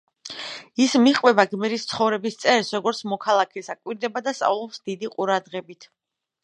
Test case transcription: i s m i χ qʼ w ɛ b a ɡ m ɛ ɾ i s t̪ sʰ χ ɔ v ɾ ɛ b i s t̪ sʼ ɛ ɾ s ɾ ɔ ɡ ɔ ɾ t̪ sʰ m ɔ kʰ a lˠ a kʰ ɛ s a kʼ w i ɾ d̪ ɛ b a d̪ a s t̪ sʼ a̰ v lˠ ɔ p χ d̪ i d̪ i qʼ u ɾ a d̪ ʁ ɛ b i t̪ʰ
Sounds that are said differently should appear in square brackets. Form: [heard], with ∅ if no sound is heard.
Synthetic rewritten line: i s m i χ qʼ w ɛ b a ɡ m ɛ ɾ i s t̪ sʰ χ ɔ v ɾ ɛ b i s t̪ sʼ ɛ ɾ s ɾ ɔ ɡ ɔ ɾ t̪ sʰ m ɔ kʰ a lˠ a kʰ ɛ s a kʼ w i ɾ d̪ ɛ b a d̪ a s t̪ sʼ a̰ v lˠ ɔ p [s] d̪ i d̪ i qʼ u ɾ a d̪ ʁ ɛ b i t̪ʰ